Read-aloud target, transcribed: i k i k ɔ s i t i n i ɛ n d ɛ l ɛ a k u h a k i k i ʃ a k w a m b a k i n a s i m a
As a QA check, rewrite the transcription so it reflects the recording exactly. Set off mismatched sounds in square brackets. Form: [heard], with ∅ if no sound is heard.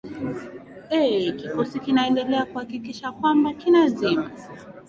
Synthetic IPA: [ɛ] k i k ɔ s i [k] i n [a] ɛ n d ɛ l ɛ a k u h a k i k i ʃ a k w a m b a k i n a [z] i m a